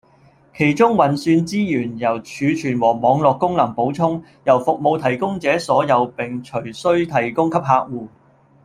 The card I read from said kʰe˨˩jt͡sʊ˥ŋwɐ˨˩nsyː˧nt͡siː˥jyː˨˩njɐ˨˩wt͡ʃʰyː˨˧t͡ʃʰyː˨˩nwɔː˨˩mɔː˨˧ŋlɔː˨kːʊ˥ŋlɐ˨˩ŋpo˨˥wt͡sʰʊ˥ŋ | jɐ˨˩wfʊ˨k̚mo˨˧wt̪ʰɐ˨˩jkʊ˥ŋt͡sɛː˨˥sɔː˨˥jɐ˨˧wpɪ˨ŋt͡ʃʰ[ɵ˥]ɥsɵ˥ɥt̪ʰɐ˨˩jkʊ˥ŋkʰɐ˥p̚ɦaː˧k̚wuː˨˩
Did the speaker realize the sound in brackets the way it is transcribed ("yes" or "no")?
no